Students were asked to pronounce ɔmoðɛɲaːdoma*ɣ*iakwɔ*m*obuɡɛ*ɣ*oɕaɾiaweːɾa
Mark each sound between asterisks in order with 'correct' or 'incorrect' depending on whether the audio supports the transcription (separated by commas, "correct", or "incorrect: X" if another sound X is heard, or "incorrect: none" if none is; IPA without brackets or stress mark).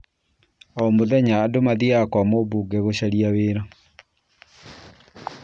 incorrect: ð, correct, correct